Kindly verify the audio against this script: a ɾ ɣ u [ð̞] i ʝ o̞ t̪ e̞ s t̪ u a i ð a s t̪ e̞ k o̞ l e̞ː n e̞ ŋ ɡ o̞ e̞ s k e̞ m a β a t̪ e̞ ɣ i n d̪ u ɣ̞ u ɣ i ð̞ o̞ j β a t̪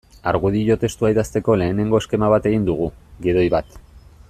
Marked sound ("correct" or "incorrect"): correct